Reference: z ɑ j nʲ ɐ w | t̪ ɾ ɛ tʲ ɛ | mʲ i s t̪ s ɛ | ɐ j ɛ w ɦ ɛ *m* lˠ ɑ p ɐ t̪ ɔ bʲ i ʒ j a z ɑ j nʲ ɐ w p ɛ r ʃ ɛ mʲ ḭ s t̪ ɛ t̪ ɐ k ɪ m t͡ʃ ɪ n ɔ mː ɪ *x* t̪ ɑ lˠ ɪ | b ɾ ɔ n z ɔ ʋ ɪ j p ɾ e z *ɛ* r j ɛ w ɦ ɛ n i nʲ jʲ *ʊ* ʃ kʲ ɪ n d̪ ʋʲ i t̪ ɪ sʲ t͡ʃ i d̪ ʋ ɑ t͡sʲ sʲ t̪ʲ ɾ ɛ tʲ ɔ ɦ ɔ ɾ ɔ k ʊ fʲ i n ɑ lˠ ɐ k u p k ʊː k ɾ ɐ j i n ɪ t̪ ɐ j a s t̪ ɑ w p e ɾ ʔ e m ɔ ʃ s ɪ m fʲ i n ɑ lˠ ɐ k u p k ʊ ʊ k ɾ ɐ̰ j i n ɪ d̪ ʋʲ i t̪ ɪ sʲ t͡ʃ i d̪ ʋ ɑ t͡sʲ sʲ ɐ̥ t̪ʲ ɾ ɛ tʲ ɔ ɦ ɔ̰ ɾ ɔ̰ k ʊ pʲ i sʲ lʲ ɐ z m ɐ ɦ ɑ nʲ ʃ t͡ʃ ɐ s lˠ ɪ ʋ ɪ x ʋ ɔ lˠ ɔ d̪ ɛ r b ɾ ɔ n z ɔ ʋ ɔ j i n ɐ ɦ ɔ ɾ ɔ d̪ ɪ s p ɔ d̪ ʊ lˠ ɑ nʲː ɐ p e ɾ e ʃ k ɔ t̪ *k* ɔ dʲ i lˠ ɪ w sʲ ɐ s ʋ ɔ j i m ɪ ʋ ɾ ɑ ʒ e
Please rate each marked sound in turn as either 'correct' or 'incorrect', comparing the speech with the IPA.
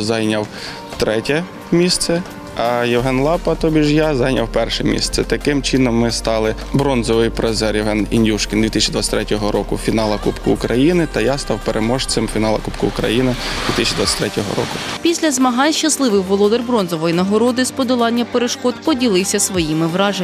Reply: incorrect, incorrect, correct, incorrect, incorrect

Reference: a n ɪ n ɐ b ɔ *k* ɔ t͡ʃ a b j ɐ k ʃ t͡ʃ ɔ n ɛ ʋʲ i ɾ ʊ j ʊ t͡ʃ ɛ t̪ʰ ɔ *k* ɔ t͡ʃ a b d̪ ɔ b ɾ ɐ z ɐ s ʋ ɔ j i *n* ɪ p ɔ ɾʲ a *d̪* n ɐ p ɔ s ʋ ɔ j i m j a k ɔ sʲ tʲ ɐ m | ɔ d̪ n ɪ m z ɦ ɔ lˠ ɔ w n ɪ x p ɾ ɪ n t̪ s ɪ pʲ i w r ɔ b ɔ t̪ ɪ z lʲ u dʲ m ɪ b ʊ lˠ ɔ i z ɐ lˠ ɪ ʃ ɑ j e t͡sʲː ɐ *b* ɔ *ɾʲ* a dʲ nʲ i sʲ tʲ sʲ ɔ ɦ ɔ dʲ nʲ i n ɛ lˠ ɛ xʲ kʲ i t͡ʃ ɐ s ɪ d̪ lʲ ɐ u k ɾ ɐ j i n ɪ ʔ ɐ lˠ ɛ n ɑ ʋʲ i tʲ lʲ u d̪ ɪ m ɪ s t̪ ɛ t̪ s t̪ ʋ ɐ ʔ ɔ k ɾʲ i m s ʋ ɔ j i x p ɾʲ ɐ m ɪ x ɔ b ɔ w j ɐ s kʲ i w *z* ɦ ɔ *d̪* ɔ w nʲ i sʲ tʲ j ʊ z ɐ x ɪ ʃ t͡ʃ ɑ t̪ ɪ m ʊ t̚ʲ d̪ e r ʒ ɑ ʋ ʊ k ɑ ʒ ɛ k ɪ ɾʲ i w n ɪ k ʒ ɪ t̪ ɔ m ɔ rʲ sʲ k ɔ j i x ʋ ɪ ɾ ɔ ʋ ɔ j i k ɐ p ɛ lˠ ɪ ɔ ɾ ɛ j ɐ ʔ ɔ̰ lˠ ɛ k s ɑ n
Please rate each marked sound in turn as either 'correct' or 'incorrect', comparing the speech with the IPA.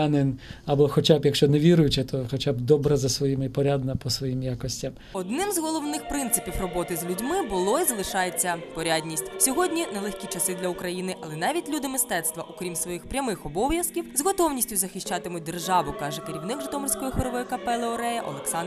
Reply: incorrect, incorrect, incorrect, correct, incorrect, correct, correct, incorrect

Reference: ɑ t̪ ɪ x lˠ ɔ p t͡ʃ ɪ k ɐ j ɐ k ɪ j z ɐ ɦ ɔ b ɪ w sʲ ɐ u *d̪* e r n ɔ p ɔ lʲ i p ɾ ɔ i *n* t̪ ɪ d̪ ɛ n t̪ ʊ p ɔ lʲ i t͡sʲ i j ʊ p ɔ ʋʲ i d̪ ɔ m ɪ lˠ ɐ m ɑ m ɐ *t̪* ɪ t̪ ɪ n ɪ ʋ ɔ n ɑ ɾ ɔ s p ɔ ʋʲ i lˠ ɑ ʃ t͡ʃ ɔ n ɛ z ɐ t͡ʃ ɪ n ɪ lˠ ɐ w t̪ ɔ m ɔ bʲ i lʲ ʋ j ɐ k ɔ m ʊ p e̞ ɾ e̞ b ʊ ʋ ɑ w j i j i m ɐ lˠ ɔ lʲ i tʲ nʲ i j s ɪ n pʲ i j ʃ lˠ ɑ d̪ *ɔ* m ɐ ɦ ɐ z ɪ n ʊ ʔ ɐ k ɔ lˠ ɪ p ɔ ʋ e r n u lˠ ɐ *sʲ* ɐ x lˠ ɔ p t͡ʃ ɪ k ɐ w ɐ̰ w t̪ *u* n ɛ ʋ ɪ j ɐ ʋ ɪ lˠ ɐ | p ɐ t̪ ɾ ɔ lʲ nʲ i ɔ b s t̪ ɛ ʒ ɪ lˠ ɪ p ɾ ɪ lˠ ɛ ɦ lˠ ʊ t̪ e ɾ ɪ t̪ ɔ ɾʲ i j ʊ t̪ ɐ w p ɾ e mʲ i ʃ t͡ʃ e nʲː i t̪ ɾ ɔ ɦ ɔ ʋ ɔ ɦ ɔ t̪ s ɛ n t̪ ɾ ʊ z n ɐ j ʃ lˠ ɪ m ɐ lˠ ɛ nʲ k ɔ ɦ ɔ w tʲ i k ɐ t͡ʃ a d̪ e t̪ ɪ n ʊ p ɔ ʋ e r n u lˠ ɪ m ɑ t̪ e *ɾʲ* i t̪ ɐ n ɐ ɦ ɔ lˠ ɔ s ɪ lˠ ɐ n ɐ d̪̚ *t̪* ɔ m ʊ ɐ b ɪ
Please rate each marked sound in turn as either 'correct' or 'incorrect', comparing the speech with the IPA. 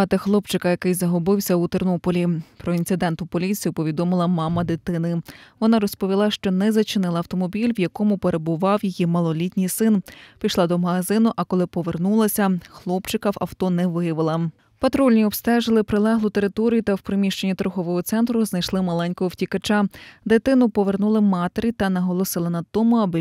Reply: incorrect, correct, incorrect, correct, correct, incorrect, correct, correct

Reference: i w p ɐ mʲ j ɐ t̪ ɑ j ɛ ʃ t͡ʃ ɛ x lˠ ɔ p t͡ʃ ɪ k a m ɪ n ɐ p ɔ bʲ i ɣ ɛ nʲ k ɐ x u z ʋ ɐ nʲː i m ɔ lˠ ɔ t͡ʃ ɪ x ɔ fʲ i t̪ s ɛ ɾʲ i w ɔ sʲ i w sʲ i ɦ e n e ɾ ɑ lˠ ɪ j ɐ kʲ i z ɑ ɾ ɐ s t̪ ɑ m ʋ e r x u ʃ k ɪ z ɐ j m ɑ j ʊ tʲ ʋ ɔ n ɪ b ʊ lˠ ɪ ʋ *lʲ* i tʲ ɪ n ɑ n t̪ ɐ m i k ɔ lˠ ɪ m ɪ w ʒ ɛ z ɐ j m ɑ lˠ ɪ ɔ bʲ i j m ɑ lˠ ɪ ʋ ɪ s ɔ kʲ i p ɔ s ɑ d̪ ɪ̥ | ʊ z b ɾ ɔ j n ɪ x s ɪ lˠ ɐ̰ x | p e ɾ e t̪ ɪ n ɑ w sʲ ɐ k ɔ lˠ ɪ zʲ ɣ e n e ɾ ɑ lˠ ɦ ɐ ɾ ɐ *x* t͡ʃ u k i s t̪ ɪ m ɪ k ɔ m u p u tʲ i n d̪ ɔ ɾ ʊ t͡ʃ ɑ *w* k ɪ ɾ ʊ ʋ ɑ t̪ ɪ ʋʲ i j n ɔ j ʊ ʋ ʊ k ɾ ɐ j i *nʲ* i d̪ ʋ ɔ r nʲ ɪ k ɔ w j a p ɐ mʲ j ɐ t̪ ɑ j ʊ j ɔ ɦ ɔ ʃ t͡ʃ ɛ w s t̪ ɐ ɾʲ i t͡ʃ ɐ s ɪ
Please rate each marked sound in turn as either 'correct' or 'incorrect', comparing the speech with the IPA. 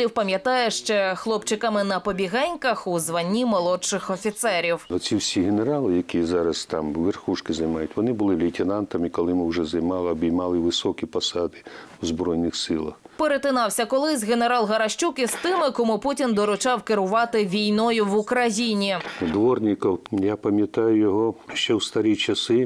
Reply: correct, incorrect, correct, correct

